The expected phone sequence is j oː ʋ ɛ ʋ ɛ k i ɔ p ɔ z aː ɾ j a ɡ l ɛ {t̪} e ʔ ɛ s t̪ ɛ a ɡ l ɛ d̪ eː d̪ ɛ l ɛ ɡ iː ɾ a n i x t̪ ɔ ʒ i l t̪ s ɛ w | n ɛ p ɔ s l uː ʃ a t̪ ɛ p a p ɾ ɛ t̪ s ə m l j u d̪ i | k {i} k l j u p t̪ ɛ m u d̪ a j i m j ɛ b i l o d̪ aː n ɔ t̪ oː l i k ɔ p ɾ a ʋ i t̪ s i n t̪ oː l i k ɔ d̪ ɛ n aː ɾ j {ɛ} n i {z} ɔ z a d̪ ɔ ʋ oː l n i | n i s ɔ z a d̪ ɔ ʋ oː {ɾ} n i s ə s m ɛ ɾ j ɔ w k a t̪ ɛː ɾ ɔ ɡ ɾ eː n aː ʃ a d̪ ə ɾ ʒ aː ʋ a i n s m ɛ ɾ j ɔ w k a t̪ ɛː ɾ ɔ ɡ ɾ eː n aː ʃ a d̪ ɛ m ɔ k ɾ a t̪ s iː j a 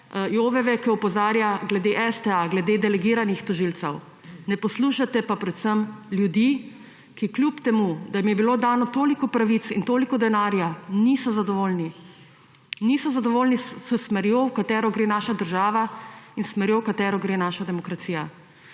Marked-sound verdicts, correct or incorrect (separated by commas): incorrect, correct, incorrect, incorrect, incorrect